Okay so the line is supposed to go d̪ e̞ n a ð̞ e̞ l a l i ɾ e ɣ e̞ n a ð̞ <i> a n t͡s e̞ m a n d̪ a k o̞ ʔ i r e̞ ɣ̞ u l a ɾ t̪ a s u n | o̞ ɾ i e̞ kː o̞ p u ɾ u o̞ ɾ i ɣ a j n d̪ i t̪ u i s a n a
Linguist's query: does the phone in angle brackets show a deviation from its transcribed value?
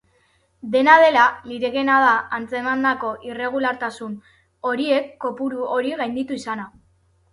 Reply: yes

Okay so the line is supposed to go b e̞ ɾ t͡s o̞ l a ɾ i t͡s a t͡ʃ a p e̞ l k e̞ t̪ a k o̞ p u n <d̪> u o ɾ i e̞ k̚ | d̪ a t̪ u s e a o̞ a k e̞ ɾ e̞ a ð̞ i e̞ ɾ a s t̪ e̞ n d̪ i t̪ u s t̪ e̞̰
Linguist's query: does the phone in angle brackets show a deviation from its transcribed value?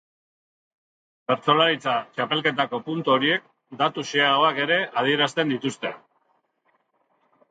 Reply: yes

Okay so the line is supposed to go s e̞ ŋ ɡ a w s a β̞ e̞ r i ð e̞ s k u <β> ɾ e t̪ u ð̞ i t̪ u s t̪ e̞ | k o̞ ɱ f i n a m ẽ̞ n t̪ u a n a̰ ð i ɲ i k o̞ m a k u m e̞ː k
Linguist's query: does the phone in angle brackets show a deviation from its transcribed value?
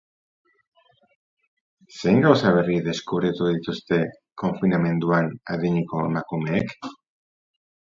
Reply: no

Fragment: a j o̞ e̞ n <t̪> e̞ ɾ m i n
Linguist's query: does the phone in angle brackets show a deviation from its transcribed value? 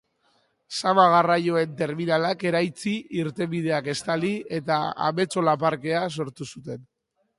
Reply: no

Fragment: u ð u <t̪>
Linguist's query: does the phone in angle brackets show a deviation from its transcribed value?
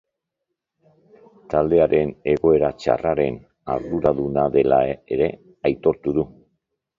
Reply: yes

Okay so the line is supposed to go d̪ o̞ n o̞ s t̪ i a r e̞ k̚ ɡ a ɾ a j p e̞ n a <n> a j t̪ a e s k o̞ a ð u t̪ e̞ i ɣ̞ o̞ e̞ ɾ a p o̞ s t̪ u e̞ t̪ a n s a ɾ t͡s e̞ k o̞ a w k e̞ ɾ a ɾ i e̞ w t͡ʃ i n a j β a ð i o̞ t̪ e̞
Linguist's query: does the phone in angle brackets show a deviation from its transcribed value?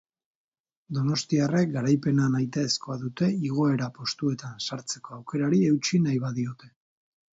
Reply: no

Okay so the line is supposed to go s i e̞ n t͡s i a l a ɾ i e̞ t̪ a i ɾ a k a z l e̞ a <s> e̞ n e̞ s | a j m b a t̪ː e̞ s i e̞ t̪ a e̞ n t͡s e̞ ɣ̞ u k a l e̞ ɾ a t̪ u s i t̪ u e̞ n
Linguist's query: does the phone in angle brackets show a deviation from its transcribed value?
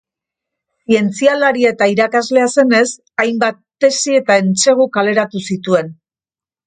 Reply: no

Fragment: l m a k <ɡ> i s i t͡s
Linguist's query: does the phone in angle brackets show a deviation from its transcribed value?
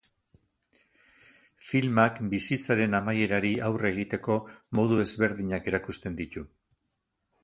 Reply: yes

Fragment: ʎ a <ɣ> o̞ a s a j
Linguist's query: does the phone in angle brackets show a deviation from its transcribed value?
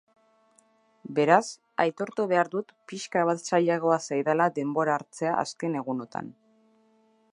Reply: no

